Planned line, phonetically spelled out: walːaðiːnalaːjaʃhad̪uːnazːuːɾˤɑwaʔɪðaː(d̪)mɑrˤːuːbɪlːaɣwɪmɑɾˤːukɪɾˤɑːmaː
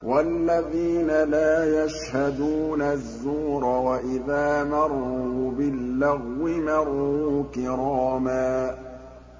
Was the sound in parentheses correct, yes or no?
no